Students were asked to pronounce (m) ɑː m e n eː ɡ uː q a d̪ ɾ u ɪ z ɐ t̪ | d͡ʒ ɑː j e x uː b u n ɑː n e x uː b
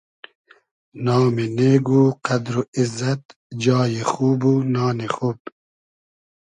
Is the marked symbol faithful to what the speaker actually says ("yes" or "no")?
no